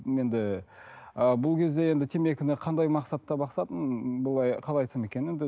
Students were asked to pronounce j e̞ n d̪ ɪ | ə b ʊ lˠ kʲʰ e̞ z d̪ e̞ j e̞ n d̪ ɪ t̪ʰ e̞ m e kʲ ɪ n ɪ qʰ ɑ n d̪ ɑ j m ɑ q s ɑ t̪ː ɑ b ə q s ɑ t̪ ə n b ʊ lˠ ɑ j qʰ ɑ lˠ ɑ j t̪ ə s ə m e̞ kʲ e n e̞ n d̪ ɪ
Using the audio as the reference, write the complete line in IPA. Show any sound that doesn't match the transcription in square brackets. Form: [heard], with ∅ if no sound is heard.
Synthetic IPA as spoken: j e̞ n d̪ ɪ | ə b ʊ lˠ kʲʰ e̞ z d̪ e̞ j e̞ n d̪ ɪ t̪ʰ e̞ m e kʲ ɪ n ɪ qʰ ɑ n d̪ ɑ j m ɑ q s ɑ t̪ː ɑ b [ɑ] q s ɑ t̪ ə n b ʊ lˠ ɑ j qʰ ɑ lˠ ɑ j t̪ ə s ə m e̞ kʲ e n e̞ n d̪ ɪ